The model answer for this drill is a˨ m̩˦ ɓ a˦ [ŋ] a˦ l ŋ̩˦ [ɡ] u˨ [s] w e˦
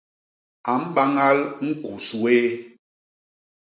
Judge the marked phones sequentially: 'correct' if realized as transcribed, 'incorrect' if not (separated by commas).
correct, incorrect, correct